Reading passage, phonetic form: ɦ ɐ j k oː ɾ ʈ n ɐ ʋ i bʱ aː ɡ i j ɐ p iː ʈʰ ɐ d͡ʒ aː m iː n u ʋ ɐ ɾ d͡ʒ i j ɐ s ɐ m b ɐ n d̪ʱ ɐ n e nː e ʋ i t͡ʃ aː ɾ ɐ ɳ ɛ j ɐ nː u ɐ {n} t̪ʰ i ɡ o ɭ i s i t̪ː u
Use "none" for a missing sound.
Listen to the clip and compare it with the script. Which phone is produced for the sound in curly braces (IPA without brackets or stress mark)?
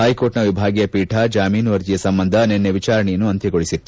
n